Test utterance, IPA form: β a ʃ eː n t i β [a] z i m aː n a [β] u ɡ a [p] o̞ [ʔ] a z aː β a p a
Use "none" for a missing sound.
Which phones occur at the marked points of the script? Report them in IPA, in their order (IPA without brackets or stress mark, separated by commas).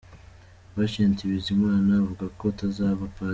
i, v, k, t